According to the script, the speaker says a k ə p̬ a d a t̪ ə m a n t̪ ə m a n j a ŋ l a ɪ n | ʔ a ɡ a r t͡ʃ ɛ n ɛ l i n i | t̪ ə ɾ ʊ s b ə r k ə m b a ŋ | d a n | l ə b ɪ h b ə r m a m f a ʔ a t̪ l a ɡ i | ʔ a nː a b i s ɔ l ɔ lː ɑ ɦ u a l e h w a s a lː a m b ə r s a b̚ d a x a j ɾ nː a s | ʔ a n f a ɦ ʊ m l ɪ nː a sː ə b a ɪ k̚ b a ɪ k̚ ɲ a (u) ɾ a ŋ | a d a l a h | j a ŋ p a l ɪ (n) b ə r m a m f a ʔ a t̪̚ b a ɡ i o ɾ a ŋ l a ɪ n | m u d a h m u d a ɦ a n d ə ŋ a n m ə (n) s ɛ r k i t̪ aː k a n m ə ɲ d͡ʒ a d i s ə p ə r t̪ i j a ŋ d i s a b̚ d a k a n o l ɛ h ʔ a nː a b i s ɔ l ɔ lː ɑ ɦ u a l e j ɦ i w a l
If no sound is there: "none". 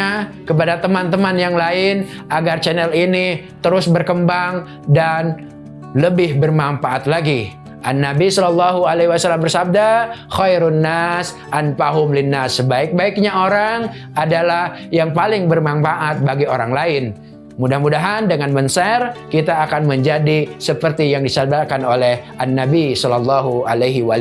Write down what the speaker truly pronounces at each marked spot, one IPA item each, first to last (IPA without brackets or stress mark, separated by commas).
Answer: o, ŋ, n